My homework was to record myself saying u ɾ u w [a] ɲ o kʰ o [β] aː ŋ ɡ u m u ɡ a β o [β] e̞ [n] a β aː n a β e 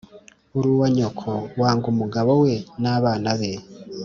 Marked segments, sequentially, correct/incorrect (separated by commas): correct, incorrect, incorrect, correct